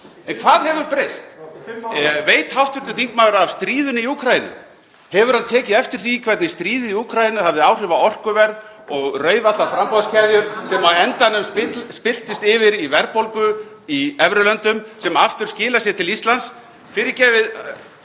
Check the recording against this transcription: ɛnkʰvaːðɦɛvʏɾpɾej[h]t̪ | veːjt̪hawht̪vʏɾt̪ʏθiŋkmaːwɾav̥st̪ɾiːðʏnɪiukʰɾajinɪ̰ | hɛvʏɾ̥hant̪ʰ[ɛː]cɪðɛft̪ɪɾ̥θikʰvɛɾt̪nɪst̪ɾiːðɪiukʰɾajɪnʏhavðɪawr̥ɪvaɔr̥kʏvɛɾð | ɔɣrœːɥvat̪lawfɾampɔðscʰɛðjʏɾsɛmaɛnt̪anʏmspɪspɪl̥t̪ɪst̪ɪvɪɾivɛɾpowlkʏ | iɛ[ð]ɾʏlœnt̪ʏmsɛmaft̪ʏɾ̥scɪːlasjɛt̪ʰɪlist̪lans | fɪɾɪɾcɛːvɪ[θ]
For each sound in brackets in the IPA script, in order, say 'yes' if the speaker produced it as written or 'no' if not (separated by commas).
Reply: no, yes, no, no